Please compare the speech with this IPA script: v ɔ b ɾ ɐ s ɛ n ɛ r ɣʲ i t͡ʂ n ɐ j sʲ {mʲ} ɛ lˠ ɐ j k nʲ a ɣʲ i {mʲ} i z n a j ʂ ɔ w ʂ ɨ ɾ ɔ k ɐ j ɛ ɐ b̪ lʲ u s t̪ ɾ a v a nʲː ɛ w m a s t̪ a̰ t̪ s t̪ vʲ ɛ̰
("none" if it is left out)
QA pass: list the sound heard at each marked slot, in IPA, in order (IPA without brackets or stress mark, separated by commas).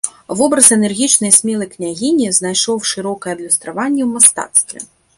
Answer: mʲ, nʲ